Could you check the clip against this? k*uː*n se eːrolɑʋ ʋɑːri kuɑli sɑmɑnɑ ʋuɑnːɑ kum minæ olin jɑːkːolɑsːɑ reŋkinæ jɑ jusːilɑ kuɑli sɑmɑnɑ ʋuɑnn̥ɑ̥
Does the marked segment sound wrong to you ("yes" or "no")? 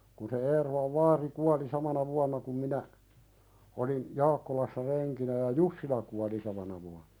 yes